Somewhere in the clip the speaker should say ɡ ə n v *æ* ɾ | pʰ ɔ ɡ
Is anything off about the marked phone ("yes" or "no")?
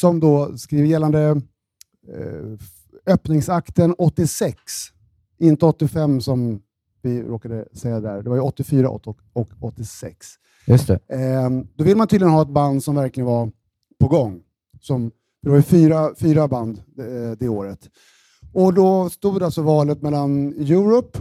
yes